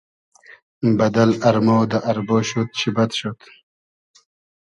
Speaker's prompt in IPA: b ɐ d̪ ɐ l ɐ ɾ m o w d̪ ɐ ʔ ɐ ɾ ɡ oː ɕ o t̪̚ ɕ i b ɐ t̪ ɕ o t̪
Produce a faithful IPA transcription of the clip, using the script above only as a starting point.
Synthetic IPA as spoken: b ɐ d̪ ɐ l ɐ ɾ m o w d̪ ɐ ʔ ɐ ɾ b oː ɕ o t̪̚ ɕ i b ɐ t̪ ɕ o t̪